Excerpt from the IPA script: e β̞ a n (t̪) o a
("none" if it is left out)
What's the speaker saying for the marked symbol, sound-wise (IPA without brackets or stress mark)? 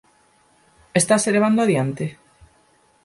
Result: d̪